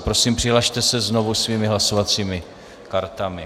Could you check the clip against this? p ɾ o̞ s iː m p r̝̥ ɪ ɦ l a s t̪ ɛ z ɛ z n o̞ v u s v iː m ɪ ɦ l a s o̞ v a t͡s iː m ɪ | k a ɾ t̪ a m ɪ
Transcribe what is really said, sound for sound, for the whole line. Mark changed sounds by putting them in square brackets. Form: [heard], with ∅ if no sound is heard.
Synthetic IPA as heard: p ɾ o̞ s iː m p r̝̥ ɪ ɦ l a [ʃ] t̪ ɛ [s] ɛ z n o̞ v u s v iː m ɪ ɦ l a s o̞ v a t͡s iː m ɪ | k a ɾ t̪ a m ɪ